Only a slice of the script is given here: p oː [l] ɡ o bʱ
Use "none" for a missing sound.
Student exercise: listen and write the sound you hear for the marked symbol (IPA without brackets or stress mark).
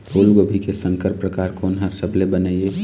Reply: l